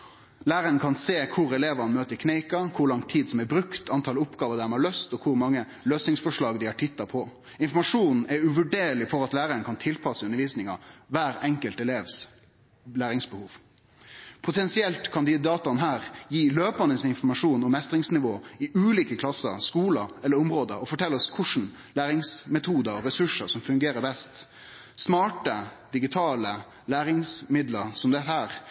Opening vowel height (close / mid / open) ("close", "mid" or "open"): open